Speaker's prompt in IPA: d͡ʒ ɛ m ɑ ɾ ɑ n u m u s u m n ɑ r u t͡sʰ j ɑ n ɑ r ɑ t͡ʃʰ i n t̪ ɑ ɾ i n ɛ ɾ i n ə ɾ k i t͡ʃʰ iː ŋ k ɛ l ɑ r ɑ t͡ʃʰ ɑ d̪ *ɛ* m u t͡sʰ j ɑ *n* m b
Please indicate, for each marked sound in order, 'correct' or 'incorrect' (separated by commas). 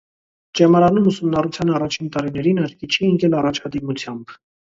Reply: incorrect, incorrect